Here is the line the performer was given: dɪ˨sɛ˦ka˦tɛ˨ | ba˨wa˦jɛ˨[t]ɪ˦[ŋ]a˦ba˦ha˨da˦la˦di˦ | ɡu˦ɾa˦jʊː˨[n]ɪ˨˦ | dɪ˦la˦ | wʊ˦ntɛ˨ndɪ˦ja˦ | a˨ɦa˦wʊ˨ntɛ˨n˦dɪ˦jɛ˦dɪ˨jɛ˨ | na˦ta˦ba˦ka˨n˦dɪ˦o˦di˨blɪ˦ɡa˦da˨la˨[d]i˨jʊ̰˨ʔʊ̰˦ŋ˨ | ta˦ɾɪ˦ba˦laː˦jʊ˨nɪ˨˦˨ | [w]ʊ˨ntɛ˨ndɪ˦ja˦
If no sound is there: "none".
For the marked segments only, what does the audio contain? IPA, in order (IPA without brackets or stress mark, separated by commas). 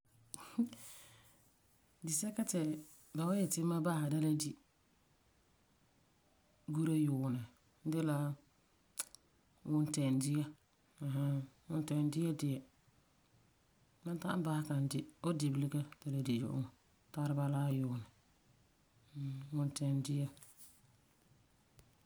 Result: t, m, n, d, w